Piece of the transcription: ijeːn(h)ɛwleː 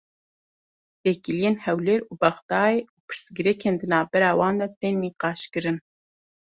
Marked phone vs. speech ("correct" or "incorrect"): correct